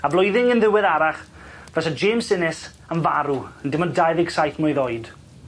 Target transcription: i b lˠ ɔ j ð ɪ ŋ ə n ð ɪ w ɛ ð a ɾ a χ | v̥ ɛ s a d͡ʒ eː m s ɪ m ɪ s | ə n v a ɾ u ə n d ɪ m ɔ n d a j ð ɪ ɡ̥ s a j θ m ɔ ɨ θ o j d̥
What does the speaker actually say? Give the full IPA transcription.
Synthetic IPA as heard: a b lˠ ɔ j ð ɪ ŋ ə n ð ɪ w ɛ ð a ɾ a χ | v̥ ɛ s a d͡ʒ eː m s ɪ n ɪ s | ə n v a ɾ u ə n d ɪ m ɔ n d a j ð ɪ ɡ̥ s a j θ m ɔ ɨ ð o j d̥